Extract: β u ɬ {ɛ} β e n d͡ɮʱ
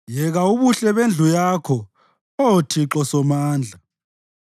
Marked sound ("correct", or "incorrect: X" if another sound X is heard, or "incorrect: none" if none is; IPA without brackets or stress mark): correct